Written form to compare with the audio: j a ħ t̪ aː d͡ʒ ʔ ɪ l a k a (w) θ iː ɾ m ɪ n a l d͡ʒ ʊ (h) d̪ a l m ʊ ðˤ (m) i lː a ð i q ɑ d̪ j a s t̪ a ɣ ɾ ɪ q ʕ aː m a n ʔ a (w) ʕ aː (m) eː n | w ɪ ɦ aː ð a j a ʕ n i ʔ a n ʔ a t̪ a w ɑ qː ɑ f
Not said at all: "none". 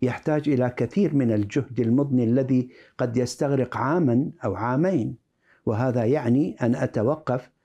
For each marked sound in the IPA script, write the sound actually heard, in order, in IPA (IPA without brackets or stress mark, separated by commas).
none, h, n, w, m